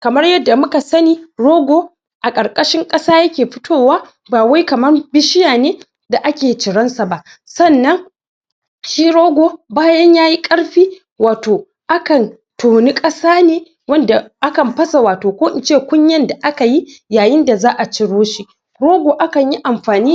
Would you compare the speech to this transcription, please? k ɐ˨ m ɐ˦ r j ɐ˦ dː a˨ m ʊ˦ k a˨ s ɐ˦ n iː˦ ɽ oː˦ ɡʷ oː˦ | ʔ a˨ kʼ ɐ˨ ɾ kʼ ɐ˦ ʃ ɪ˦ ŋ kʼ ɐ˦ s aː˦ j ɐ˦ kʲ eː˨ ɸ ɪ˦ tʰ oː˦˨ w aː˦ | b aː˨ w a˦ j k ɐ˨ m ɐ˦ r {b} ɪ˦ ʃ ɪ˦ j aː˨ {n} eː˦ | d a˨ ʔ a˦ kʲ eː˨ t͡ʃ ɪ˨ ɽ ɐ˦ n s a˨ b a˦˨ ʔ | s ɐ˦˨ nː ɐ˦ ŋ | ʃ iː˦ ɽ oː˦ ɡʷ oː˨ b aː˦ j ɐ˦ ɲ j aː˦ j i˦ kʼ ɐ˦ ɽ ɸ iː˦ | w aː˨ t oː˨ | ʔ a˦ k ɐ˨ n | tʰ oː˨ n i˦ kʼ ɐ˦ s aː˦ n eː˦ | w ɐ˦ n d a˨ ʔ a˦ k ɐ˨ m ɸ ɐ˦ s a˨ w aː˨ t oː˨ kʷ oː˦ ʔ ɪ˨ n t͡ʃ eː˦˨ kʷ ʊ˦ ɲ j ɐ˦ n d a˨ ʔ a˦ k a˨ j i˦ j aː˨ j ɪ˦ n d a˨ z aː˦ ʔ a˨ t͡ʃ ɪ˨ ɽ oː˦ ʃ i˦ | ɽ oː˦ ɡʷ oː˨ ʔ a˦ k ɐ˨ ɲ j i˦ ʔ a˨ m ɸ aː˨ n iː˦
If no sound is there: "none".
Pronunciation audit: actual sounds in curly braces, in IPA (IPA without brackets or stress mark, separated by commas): b, n